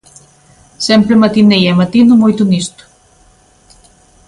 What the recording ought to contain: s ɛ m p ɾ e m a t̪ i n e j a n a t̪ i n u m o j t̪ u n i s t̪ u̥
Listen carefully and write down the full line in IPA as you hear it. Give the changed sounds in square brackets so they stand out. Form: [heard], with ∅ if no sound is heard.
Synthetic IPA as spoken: s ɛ m p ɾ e m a t̪ i n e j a [m] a t̪ i n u m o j t̪ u n i s t̪ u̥